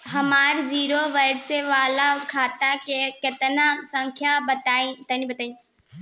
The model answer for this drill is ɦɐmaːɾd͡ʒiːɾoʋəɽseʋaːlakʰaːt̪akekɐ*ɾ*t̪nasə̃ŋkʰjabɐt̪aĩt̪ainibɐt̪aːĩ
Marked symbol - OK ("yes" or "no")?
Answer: no